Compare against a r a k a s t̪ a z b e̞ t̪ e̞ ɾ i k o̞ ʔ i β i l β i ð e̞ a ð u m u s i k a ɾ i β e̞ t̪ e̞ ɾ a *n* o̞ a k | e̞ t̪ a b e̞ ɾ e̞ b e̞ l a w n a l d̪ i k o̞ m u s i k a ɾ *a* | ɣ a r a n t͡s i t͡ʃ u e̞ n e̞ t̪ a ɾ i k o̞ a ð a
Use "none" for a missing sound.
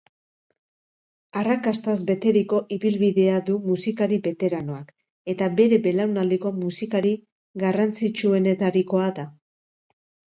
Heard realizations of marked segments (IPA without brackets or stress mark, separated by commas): n, i